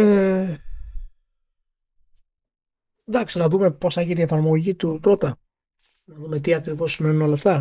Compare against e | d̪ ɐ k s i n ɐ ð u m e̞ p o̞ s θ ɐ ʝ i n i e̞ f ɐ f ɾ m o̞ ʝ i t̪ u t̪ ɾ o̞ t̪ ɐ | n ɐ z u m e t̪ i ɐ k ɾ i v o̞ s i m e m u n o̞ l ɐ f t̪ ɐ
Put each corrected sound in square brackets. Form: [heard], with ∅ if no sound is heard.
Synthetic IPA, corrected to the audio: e | d̪ ɐ k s i n ɐ ð u m e̞ p o̞ s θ ɐ ʝ i n i e̞ f ɐ [∅] ɾ m o̞ ʝ i t̪ u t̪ ɾ o̞ t̪ ɐ | n ɐ [ð] u m e t̪ i ɐ k ɾ i v o̞ s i m e [n] u n o̞ l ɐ f t̪ ɐ